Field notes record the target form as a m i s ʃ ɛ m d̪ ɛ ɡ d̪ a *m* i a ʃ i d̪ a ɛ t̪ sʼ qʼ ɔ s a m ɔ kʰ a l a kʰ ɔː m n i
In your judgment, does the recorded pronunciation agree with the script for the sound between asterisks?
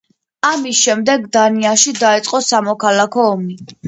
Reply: no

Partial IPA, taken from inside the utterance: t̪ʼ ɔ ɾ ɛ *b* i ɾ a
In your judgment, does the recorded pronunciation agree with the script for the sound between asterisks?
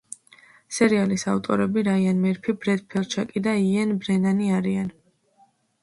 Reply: yes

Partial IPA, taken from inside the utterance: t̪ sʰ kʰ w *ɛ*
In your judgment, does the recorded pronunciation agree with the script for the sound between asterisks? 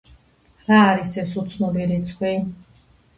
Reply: no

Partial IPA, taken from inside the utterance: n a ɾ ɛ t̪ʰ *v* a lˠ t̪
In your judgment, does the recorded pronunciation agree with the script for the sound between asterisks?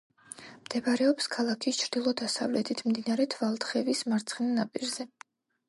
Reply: yes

